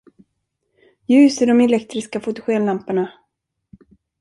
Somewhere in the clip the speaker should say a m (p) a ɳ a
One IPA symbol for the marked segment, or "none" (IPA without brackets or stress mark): p